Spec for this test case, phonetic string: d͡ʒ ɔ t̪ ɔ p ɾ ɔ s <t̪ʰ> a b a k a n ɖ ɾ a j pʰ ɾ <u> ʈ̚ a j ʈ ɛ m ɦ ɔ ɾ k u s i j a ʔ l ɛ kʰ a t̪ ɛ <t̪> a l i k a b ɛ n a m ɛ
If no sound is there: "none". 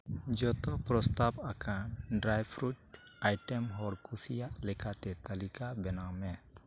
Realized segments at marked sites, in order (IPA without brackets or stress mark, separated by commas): t̪, u, t̪